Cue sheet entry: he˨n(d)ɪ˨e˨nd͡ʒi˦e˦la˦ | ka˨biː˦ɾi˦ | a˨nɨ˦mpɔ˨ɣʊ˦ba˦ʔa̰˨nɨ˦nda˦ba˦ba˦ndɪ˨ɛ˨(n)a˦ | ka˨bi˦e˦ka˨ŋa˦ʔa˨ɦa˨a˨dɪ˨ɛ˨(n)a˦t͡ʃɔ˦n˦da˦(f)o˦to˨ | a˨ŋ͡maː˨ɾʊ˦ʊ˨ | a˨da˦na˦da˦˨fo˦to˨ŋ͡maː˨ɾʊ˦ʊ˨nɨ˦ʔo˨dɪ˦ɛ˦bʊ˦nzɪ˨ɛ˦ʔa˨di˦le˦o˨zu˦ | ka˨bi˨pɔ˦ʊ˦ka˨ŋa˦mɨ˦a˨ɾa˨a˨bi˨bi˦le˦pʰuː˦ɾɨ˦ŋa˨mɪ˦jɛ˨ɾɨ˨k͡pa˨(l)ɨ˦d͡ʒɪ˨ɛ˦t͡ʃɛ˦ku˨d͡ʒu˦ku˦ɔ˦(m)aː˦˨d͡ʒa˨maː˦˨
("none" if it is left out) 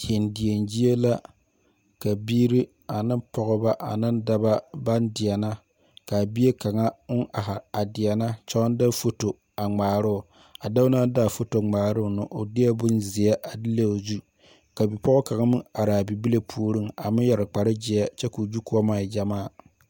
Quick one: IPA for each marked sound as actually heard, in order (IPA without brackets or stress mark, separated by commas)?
d, n, n, f, ɾ, m